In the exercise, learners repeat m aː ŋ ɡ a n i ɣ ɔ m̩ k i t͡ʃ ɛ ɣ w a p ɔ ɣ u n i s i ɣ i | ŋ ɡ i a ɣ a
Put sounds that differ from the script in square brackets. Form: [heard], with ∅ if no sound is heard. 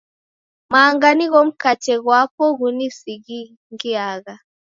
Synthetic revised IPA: m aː ŋ ɡ a n i ɣ ɔ m̩ k [a] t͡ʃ ɛ ɣ w a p ɔ ɣ u n i s i ɣ i | ŋ ɡ i a ɣ a